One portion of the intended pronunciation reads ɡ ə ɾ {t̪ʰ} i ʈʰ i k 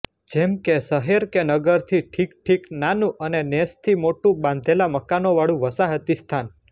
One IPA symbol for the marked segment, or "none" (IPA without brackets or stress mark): t̪ʰ